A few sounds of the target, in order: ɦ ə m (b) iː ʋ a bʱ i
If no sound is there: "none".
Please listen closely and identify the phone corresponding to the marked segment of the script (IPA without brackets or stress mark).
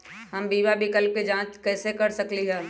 b